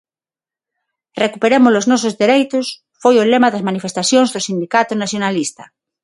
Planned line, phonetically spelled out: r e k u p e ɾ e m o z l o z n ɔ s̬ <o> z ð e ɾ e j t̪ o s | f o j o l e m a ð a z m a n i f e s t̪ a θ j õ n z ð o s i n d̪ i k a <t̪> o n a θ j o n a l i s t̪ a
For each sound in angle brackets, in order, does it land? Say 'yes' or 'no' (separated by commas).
yes, yes